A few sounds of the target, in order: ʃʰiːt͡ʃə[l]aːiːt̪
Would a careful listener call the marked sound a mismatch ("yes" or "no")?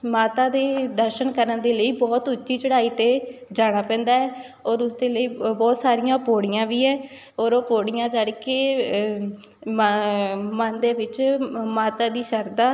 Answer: yes